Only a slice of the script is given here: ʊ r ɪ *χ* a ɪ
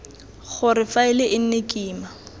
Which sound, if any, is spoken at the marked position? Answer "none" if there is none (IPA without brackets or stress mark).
f